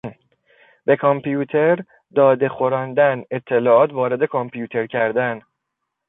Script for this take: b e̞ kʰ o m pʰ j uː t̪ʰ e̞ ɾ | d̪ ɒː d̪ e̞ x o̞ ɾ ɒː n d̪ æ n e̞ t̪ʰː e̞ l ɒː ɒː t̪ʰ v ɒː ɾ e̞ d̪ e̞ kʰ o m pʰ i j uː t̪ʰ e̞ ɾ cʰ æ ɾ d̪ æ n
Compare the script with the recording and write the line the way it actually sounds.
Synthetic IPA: b e̞ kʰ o m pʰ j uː t̪ʰ e̞ ɾ | d̪ ɒː d̪ e̞ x o̞ ɾ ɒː n d̪ æ n e̞ t̪ʰː e̞ l ɒː ɒː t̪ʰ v ɒː ɾ e̞ d̪ e̞ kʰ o m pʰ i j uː t̪ʰ e̞ ɾ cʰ æ ɾ d̪ æ n